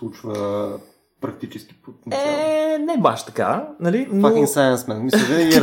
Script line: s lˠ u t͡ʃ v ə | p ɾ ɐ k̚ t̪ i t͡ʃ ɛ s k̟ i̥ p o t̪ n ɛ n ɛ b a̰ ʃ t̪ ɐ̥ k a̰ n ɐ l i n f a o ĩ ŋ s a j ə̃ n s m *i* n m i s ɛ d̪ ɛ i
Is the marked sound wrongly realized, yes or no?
yes